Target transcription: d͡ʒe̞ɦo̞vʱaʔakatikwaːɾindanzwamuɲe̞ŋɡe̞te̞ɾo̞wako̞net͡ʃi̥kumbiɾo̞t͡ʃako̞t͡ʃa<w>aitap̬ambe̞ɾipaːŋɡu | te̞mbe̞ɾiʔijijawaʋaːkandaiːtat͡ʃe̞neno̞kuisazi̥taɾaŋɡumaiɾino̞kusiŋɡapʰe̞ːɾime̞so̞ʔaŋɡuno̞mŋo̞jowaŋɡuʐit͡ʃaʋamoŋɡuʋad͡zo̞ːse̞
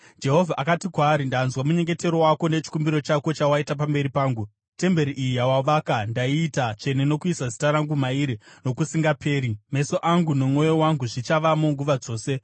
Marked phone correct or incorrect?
correct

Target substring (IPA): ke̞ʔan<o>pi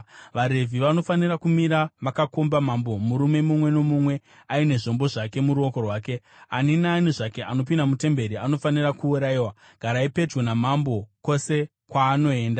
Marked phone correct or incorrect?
correct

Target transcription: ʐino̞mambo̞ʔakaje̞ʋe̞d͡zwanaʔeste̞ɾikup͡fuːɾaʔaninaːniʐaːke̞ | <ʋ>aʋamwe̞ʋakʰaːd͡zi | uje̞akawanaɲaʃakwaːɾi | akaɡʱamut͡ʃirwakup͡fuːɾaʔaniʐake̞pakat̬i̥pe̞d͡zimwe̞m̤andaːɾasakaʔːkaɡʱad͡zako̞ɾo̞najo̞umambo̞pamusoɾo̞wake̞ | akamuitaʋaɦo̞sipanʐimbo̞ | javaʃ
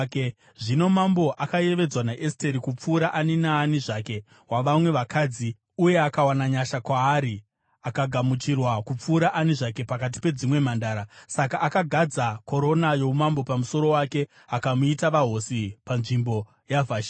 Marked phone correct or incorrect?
incorrect: w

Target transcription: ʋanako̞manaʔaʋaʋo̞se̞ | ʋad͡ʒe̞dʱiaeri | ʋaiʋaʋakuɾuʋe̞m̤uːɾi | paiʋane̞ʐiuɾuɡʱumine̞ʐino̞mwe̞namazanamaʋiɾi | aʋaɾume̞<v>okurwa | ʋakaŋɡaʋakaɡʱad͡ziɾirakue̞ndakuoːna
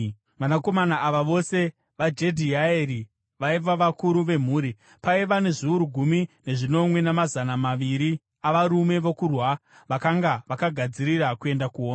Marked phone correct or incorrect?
incorrect: ʋ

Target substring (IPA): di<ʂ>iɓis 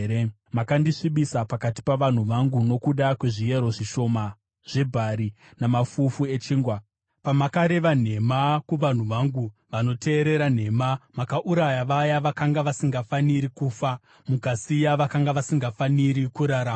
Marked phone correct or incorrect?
correct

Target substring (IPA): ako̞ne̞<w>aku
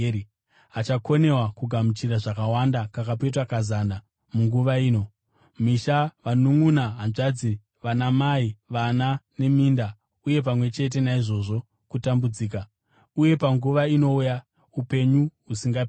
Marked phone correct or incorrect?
correct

